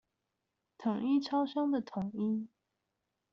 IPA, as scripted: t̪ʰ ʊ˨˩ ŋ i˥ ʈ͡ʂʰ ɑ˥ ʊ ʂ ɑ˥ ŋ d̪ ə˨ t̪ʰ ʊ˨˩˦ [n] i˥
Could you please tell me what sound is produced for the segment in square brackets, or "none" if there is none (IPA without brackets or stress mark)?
ŋ